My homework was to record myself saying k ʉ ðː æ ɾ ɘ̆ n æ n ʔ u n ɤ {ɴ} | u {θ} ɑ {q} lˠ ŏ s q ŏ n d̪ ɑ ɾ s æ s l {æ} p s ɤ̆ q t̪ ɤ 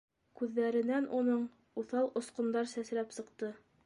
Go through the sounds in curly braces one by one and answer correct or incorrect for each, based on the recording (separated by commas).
correct, correct, incorrect, correct